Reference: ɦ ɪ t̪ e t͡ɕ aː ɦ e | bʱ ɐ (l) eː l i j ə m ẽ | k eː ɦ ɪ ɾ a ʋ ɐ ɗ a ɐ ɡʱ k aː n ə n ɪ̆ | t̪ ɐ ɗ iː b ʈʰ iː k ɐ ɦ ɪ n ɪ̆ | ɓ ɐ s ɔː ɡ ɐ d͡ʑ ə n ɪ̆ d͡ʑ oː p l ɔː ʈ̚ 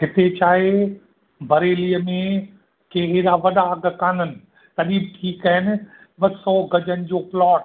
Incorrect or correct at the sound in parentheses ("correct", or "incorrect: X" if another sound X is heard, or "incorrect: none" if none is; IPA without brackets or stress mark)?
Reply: incorrect: ɾ